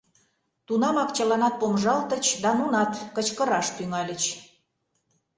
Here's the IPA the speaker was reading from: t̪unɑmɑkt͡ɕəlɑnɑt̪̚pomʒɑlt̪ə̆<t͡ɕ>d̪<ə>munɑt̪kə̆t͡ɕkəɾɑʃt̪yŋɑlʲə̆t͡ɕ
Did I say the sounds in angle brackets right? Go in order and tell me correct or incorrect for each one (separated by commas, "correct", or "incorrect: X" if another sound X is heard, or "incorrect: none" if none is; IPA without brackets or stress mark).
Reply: correct, incorrect: ɑ